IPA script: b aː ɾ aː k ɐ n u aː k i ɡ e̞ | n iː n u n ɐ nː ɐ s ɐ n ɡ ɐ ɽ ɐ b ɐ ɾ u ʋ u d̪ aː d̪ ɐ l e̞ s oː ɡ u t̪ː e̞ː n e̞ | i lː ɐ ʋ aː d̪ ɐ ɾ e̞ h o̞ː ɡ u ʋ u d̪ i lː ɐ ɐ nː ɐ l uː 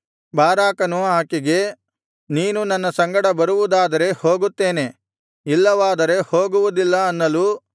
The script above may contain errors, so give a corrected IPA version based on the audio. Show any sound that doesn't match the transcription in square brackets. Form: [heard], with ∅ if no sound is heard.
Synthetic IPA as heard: b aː ɾ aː k ɐ n u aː k i ɡ e̞ | n iː n u n ɐ nː ɐ s ɐ [ŋ] ɡ ɐ ɽ ɐ b ɐ ɾ u ʋ u d̪ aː d̪ ɐ [ɾ] e̞ [h] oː ɡ u t̪ː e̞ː n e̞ | i lː ɐ ʋ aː d̪ ɐ ɾ e̞ h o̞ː ɡ u ʋ u d̪ i lː ɐ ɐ nː ɐ l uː